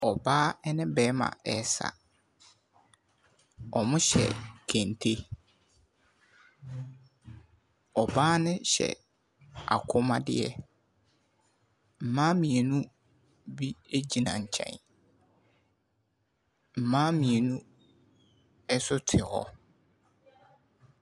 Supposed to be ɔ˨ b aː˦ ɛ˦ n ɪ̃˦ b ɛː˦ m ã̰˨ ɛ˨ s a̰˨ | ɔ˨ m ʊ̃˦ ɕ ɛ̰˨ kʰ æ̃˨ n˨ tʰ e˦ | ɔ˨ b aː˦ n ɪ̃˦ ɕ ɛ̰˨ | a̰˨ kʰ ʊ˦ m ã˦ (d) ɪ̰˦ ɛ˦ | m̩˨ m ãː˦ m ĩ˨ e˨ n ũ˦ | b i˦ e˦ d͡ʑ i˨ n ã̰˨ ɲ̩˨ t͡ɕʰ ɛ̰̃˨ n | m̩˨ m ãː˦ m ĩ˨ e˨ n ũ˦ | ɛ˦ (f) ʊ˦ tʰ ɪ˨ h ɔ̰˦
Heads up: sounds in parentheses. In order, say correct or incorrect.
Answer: correct, incorrect: s

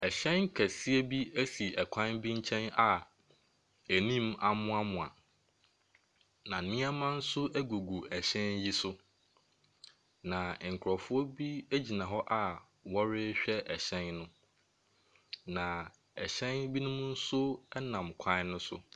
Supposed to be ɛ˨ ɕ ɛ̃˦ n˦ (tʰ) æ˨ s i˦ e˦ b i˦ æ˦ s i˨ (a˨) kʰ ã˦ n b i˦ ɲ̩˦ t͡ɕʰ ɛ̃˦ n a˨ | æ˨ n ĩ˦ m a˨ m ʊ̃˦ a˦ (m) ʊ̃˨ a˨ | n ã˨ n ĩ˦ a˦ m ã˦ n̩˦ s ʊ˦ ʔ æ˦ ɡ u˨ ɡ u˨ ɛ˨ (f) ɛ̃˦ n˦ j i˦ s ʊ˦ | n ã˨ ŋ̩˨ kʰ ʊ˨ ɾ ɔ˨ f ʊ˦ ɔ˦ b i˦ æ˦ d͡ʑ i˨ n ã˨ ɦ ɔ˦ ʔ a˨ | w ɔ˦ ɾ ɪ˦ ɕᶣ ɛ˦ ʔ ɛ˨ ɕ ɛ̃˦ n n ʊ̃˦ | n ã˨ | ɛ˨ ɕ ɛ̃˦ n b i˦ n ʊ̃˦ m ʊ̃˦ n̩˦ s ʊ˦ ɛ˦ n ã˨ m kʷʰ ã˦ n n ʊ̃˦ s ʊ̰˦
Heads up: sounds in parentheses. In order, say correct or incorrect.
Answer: incorrect: kʰ, incorrect: ɛ˨, correct, incorrect: ɕ

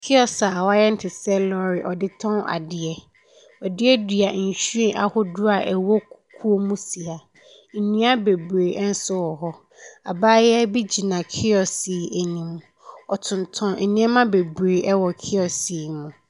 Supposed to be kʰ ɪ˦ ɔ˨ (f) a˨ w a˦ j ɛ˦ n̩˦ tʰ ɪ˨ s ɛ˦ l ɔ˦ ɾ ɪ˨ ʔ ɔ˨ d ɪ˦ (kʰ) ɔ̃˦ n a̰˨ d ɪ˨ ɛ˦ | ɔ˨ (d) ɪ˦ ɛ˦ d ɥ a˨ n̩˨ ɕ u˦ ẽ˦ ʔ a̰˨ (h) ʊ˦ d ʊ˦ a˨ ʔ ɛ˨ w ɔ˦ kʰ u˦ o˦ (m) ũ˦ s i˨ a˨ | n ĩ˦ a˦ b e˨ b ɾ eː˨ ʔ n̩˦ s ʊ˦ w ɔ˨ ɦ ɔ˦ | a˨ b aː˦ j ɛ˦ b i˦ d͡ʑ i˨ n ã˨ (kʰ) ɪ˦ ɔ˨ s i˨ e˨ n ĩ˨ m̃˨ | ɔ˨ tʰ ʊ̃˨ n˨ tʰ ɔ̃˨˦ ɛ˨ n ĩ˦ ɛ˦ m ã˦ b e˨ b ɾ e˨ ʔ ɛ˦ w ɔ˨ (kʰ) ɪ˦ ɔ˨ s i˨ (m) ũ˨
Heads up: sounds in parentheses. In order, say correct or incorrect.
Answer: incorrect: s, incorrect: tʰ, correct, correct, correct, correct, correct, correct

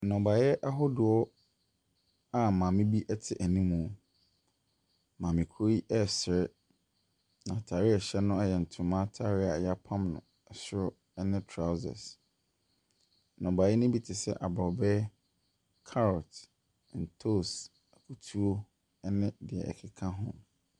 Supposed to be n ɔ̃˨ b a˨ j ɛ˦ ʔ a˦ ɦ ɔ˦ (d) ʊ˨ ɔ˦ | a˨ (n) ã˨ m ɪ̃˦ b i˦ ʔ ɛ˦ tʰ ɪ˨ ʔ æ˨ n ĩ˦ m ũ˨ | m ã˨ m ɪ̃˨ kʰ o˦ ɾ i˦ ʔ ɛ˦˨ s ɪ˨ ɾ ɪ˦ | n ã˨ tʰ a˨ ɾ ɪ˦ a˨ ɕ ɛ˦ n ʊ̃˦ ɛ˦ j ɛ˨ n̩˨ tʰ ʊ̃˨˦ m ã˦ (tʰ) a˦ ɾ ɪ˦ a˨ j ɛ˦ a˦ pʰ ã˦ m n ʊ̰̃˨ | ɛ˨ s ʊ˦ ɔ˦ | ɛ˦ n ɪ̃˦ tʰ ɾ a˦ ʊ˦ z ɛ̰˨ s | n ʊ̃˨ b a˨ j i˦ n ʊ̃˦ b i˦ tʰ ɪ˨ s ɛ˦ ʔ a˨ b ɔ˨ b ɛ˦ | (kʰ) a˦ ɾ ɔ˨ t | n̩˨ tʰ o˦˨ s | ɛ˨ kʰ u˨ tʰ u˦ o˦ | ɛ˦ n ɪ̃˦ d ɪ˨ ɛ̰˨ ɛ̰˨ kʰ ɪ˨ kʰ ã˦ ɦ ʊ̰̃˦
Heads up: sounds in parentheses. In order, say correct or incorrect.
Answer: correct, incorrect: m, correct, correct

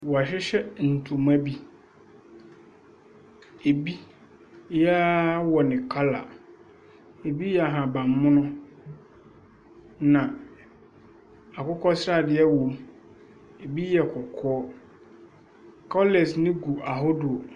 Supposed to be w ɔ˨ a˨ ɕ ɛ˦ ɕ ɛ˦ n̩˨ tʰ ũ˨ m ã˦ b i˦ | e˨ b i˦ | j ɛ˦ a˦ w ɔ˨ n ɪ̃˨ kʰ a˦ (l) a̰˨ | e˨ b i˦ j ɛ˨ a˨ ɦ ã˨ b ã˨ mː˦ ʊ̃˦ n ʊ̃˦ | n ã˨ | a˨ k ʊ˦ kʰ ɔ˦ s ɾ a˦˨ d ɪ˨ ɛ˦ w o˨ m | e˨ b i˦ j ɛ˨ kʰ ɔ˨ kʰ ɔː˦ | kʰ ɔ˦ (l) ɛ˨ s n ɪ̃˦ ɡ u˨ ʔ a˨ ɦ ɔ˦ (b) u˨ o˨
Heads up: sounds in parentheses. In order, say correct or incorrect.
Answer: correct, correct, incorrect: d

